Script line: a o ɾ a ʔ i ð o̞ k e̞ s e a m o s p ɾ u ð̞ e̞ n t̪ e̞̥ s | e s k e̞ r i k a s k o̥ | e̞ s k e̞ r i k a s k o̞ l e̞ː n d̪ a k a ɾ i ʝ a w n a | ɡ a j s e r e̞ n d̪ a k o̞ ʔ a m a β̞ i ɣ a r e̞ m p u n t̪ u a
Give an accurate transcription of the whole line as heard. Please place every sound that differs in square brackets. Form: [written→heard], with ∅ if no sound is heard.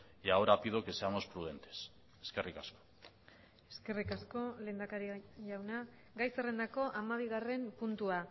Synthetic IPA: a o ɾ a [ʔ→p] i ð o̞ k e̞ s e a m o s p ɾ u ð̞ e̞ n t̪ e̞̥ s | e s k e̞ r i k a s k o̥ | e̞ s k e̞ r i k a s k o̞ l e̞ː n d̪ a k a ɾ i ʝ a w n a | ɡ a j s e r e̞ n d̪ a k o̞ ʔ a m a β̞ i ɣ a r e̞ m p u n t̪ u a